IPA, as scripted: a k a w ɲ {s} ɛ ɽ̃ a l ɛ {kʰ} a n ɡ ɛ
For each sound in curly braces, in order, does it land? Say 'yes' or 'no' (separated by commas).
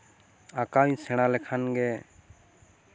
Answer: yes, yes